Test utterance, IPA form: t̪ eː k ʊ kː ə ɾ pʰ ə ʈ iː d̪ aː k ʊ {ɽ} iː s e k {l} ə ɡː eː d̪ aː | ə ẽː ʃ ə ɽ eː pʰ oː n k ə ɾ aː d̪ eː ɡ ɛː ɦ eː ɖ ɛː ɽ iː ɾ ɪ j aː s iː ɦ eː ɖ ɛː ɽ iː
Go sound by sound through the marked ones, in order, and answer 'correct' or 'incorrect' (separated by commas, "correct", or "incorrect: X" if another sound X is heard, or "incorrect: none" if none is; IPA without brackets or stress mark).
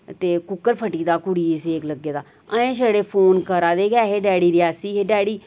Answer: correct, correct